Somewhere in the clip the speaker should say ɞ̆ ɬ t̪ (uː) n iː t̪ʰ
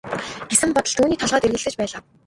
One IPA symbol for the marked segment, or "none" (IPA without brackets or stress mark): uː